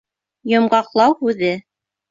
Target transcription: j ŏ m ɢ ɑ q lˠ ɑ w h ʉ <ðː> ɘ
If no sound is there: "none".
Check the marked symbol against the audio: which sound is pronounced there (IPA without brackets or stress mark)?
ð